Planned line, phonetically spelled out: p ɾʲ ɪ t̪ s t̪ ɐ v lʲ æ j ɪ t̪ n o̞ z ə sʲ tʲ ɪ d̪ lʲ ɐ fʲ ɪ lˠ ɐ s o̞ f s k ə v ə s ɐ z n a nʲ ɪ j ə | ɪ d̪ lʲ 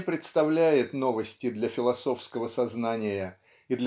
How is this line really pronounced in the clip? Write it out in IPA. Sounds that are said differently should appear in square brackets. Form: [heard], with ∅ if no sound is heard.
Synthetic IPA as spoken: p ɾʲ ɪ t̪ s t̪ ɐ v lʲ æ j ɪ t̪ n o̞ [v] ə sʲ tʲ ɪ d̪ lʲ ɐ fʲ ɪ lˠ ɐ s o̞ f s k ə v ə s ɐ z n a nʲ ɪ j ə | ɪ d̪ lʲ